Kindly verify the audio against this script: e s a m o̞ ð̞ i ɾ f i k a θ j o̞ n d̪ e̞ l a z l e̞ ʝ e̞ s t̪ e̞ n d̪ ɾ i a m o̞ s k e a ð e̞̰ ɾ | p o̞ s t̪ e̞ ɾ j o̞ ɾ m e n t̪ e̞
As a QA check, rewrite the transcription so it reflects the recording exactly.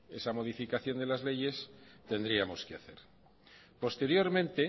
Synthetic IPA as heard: e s a m o̞ ð̞ i f i k a θ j o̞ n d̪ e̞ l a z l e̞ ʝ e̞ s t̪ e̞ n d̪ ɾ i a m o̞ s k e a θ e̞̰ ɾ | p o̞ s t̪ e̞ ɾ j o̞ ɾ m ẽ n t̪ e̞